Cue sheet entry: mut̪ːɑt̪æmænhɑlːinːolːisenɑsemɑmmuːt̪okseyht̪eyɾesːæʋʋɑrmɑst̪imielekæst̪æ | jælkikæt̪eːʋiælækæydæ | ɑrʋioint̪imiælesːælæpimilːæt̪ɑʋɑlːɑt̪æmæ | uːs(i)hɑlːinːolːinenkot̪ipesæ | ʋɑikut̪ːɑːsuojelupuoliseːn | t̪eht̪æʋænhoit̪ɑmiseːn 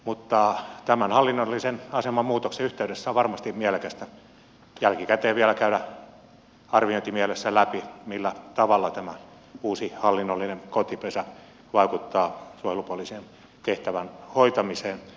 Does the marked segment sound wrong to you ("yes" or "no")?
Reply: no